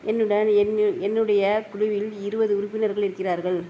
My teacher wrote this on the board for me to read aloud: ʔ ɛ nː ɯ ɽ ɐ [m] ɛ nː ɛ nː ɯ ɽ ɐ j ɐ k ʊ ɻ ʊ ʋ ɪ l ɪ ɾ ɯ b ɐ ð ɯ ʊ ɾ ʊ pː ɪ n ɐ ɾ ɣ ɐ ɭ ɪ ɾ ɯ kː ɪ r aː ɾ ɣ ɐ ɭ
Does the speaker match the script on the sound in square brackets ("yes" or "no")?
no